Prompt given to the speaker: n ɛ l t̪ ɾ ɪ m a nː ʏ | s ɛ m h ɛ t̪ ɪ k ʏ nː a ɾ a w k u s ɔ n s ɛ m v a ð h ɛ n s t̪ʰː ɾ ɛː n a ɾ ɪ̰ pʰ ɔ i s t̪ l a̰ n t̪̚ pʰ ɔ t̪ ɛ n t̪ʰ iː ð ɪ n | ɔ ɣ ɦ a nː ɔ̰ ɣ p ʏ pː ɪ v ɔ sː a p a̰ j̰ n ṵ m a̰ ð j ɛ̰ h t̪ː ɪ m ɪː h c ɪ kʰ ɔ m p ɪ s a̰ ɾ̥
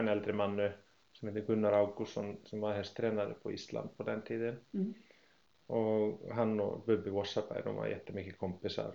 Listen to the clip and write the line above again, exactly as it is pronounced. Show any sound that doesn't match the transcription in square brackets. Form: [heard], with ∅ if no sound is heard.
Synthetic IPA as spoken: n ɛ l t̪ ɾ ɪ m a nː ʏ | s ɛ m h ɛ t̪ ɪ k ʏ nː a ɾ a w k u s ɔ n s ɛ m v a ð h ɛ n s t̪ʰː ɾ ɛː n a ɾ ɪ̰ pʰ ɔ i s t̪ l a̰ n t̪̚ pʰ ɔ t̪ ɛ n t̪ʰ iː ð ɪ n | ɔ ɣ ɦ a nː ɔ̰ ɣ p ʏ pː ɪ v ɔ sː a p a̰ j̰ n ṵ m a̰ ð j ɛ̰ h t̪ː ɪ m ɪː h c ɪ kʰ ɔ m p ɪ s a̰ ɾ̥